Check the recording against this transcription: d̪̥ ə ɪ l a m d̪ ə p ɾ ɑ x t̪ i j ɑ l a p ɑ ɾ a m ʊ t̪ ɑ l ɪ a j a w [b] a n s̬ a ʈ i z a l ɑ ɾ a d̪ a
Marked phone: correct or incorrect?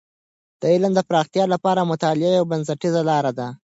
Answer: correct